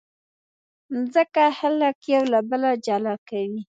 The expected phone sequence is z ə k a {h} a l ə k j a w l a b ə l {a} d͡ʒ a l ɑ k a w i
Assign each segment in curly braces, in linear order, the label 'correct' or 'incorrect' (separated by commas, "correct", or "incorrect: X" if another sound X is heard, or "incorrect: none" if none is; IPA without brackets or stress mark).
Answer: correct, correct